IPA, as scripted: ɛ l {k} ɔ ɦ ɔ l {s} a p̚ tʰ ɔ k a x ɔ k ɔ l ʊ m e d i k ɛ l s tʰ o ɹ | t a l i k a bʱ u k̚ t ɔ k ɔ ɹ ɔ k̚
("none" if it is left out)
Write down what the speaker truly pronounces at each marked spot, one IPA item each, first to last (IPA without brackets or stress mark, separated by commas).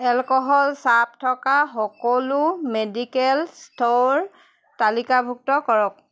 k, s